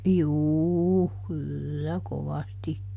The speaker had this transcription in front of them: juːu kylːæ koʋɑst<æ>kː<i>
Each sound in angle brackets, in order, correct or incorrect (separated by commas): incorrect, correct